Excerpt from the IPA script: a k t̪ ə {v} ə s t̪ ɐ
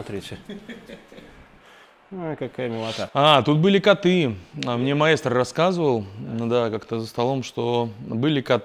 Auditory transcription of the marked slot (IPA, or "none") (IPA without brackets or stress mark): z